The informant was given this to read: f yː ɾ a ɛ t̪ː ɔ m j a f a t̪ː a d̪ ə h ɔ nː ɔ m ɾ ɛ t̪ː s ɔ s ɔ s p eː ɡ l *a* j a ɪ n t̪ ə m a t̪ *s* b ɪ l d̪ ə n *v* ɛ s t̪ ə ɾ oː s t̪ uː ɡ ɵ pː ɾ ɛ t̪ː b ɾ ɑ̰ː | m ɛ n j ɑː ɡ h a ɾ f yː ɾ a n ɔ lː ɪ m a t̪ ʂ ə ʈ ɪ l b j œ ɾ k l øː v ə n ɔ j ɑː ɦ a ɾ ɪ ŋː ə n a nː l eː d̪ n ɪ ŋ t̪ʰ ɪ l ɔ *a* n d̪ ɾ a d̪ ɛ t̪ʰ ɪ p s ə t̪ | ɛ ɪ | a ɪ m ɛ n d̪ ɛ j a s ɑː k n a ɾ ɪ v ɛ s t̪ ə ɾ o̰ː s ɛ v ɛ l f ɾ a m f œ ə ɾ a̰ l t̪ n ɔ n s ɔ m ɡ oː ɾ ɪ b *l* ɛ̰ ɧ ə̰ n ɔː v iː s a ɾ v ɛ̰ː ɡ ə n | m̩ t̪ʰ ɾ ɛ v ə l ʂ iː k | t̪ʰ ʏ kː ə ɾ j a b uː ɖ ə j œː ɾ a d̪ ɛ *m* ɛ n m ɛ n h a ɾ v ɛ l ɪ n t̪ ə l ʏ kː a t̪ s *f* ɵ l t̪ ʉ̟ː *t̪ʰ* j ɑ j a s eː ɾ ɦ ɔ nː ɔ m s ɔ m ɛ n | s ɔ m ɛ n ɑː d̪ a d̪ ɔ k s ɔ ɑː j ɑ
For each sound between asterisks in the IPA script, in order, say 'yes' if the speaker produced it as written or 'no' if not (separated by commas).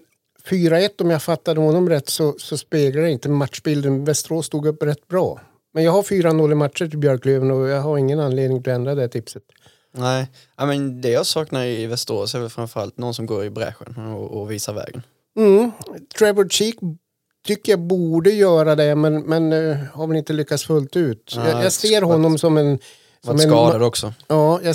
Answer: yes, no, yes, no, no, yes, yes, no